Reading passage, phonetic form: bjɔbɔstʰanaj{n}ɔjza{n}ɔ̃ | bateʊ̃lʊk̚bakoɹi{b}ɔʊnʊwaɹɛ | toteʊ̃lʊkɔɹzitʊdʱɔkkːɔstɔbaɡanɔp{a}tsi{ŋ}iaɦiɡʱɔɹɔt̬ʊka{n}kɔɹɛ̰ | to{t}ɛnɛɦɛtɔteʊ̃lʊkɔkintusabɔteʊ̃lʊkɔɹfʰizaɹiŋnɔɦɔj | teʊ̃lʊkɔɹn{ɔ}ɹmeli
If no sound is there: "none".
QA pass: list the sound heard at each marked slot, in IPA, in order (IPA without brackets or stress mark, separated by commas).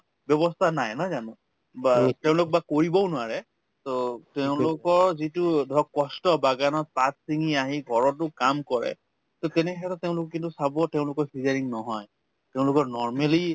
n, n, b, a, ŋ, m, t, ɔ